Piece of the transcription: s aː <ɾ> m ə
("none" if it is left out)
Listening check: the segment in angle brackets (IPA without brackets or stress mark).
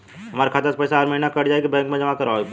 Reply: ɾ